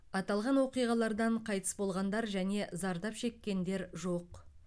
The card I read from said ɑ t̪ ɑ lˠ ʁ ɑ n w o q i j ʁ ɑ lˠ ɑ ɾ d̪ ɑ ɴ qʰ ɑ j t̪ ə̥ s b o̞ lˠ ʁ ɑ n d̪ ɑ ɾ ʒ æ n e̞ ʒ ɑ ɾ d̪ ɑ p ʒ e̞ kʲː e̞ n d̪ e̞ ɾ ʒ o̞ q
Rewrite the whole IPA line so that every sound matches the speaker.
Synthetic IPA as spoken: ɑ t̪ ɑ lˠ ʁ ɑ n w o q i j ʁ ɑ lˠ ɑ ɾ d̪ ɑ ɴ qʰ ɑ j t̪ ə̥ s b o̞ lˠ ʁ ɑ n d̪ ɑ ɾ ʒ æ n e̞ z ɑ ɾ d̪ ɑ p ʃ e̞ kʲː e̞ n d̪ e̞ ɾ ʒ o̞ q